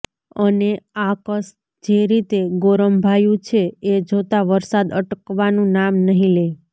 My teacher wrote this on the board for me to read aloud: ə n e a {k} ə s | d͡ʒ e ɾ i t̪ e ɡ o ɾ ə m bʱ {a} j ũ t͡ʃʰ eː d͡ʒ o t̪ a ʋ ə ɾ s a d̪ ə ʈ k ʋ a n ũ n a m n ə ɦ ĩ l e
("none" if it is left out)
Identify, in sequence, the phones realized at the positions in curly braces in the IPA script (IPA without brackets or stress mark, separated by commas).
k, a